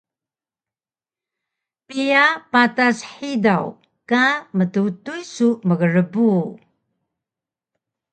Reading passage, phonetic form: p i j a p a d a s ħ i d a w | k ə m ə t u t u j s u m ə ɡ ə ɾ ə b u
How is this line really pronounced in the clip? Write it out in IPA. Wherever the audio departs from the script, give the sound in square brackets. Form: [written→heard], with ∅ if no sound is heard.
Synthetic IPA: p i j a p a [d→t] a s ħ i d a w | k [ə→a] m ə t u t u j s u m ə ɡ ə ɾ ə b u